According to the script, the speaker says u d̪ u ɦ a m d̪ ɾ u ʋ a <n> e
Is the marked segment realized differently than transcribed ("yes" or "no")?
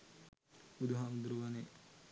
no